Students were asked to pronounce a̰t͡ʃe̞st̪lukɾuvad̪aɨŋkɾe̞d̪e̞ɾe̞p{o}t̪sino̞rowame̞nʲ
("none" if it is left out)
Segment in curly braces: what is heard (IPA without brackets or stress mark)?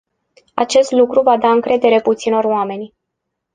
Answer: u